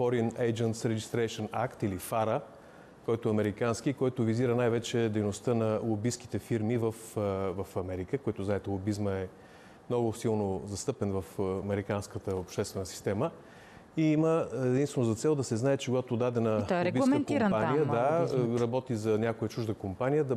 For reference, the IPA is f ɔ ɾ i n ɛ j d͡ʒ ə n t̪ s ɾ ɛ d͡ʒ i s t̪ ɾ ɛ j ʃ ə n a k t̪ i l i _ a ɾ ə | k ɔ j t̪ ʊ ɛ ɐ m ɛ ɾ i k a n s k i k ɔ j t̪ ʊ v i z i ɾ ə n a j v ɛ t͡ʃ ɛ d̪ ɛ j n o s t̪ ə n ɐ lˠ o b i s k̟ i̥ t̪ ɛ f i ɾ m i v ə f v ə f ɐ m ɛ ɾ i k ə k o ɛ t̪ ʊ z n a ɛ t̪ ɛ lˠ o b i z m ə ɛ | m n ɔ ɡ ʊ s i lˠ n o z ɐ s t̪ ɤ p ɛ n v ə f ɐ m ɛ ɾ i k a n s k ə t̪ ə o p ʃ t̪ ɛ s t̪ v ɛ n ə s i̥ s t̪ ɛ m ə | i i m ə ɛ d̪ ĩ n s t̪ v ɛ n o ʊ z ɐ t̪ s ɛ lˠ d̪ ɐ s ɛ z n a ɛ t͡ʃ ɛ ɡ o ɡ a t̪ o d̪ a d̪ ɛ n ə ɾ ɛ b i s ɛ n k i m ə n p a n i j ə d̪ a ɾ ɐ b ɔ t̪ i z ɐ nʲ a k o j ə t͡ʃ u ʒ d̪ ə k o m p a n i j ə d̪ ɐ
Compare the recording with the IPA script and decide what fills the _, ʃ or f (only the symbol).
f